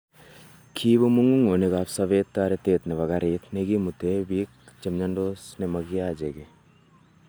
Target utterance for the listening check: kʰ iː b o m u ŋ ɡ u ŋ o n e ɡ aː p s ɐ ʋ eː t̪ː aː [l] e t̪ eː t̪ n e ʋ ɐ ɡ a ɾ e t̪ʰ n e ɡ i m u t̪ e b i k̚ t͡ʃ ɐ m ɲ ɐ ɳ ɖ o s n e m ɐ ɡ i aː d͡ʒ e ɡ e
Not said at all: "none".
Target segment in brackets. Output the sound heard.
ɾ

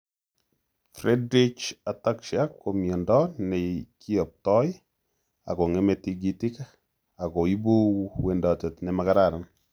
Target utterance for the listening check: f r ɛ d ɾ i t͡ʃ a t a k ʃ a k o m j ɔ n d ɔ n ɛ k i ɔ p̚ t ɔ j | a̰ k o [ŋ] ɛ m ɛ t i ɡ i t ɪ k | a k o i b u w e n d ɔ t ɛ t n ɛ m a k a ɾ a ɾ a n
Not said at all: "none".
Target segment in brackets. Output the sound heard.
ŋ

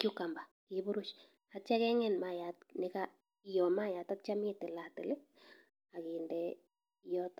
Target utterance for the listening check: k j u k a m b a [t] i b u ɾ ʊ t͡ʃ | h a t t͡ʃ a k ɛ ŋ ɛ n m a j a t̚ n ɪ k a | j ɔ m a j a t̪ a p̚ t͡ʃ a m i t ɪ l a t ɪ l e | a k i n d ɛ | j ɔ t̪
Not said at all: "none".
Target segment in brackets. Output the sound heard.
k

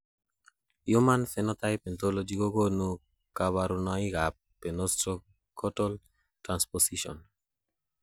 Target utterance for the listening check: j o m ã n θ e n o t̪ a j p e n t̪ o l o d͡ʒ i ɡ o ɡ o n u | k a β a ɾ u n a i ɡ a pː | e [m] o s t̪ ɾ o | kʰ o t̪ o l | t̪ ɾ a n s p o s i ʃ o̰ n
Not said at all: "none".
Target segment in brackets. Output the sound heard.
n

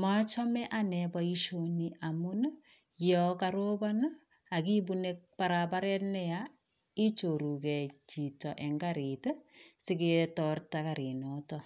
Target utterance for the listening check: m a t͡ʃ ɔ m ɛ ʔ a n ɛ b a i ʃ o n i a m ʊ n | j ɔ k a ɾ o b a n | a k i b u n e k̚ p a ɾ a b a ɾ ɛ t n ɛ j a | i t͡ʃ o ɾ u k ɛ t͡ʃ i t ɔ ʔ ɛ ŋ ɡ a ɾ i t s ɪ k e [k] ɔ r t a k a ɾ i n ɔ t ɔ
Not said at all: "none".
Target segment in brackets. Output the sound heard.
t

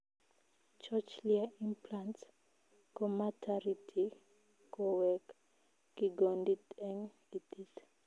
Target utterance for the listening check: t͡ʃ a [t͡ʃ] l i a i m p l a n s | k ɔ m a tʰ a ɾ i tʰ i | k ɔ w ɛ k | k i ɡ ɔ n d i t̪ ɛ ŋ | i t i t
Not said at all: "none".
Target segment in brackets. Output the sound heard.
t͡ʃ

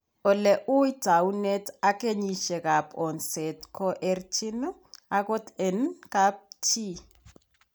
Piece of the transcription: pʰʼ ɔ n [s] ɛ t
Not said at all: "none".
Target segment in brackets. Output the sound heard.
s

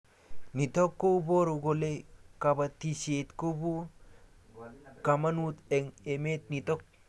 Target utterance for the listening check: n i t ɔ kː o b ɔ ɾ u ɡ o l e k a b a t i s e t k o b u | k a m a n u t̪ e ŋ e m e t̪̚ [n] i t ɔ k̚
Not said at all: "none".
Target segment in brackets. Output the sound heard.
n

